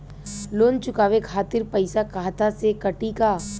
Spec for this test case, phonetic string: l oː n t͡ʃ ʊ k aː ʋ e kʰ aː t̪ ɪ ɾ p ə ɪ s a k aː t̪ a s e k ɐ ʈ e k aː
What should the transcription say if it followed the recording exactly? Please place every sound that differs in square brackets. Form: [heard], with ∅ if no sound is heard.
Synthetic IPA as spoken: l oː n t͡ʃ ʊ k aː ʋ e kʰ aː t̪ ɪ ɾ p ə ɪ s a k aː t̪ a s e k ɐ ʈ [i] k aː